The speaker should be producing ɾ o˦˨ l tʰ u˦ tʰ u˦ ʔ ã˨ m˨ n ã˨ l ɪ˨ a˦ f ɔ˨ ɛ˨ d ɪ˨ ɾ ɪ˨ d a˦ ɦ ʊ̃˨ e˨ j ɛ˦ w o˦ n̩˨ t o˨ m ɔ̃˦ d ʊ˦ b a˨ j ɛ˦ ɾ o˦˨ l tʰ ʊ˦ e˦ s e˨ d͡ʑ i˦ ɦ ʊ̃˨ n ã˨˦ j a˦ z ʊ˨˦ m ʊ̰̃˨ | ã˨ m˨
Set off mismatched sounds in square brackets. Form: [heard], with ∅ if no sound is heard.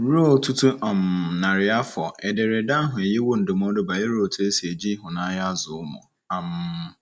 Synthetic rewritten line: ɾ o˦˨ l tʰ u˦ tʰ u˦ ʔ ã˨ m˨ n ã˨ [ɾ] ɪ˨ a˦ f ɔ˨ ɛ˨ d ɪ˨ ɾ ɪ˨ d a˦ ɦ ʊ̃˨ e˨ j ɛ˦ w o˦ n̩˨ [d] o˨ m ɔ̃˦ d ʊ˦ b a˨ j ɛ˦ ɾ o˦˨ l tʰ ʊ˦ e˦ s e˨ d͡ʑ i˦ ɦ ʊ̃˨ n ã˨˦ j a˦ z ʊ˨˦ m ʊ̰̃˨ | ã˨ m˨